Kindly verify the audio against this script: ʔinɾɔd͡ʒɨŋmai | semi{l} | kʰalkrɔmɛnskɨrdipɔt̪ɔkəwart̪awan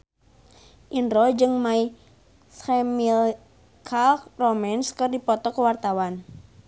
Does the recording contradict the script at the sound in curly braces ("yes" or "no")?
no